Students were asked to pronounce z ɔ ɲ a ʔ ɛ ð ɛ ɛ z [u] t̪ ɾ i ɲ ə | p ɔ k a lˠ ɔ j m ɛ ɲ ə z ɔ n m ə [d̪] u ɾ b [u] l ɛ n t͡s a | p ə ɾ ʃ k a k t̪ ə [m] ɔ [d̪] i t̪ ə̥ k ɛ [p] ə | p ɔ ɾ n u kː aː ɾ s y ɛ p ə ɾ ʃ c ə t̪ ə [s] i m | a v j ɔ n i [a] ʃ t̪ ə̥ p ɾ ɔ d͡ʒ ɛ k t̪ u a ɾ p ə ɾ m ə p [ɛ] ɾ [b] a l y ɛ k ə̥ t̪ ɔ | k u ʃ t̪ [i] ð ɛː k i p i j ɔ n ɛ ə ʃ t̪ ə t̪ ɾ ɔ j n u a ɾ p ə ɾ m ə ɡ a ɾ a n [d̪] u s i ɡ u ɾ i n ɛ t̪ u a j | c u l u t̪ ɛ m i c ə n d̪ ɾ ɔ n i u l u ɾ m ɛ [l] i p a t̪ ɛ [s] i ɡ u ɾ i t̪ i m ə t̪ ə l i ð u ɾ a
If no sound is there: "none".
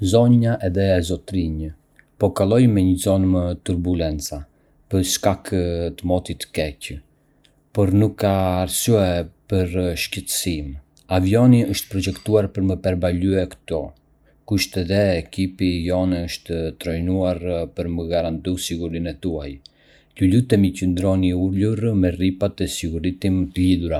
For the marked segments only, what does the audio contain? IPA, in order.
ɔ, t̪, u, m, t̪, c, s, ə, ɛ, b, ɛ, t̪, r, s

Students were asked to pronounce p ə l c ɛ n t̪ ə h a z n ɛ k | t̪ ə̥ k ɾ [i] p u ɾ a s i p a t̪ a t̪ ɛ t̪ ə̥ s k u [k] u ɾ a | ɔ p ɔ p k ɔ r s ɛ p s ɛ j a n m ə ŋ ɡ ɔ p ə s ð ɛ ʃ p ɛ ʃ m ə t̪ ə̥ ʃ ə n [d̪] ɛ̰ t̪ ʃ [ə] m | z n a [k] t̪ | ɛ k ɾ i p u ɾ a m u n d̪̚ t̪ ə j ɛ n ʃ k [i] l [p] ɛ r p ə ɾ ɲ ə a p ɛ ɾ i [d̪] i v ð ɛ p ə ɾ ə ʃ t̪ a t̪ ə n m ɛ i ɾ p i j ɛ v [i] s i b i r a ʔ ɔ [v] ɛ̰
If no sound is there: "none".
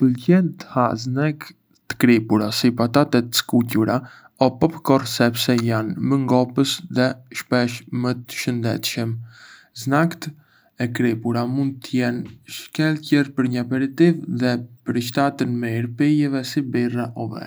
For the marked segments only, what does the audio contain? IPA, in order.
i, c, d̪, ə, k, ɛ, c, t̪, ɛ, v

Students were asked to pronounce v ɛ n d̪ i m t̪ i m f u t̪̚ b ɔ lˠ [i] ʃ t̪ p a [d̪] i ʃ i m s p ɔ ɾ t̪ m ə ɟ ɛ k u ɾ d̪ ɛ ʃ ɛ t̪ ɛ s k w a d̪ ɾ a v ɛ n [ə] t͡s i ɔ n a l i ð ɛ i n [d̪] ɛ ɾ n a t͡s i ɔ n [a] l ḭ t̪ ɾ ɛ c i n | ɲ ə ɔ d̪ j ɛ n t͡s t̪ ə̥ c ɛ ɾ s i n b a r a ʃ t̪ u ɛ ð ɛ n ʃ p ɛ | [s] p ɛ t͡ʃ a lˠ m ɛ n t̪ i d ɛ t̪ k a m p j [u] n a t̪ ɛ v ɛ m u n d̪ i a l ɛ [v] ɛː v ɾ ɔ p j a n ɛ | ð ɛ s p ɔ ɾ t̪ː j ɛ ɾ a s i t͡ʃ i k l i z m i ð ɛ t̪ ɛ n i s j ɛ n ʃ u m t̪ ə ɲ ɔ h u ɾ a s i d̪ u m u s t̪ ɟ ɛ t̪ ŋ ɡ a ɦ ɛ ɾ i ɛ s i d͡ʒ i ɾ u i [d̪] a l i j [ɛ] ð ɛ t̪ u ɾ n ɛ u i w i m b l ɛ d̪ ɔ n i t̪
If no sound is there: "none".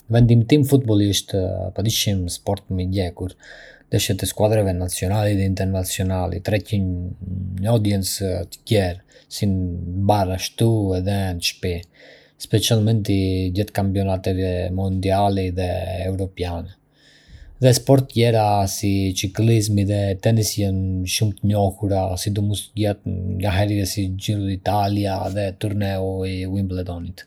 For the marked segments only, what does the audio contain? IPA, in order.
i, d̪, a, t̪, a, s, ɔ, ð, t̪, a

